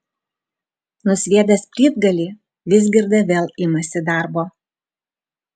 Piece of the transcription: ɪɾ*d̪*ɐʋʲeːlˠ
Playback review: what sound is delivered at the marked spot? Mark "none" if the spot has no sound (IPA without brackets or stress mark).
d̪